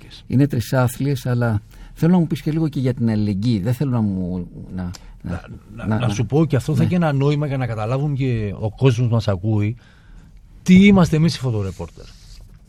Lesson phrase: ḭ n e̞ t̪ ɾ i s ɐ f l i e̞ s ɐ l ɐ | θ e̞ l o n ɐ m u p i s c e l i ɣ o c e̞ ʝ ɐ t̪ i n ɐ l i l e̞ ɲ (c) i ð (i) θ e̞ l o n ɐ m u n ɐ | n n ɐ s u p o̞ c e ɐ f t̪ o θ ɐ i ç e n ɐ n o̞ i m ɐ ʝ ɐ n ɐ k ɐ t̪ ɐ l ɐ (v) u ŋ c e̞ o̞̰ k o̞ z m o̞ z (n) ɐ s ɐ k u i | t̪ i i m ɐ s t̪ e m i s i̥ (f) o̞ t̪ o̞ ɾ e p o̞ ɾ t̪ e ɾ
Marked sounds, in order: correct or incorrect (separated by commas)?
incorrect, incorrect, correct, incorrect, correct